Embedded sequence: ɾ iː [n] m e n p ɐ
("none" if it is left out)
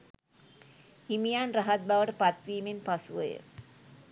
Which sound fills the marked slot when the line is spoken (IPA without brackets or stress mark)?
none